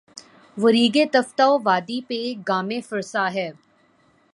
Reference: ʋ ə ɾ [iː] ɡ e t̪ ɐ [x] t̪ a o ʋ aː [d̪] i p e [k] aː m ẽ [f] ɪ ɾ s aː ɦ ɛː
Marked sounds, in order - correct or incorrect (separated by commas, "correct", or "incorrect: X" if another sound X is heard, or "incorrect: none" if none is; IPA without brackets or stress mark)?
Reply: correct, incorrect: f, correct, incorrect: ɡ, correct